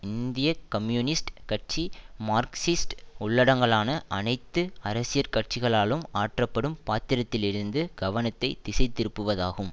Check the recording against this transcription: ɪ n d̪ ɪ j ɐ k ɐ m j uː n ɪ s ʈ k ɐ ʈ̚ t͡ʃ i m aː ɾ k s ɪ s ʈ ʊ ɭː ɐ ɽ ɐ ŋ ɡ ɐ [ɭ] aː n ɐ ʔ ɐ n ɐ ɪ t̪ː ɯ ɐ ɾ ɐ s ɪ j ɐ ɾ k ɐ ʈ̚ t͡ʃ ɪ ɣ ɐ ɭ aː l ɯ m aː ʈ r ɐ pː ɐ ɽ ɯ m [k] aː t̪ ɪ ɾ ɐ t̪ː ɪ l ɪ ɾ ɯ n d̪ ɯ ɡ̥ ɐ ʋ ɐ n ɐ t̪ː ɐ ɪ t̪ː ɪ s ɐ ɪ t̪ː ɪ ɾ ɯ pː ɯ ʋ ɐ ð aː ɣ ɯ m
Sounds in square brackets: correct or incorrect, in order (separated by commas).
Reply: correct, incorrect